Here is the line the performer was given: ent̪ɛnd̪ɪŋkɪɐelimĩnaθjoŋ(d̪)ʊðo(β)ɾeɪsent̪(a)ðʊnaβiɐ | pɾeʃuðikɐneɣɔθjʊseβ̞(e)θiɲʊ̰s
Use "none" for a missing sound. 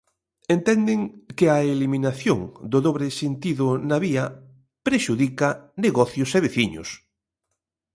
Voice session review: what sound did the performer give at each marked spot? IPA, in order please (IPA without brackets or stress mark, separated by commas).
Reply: d̪, β, i, e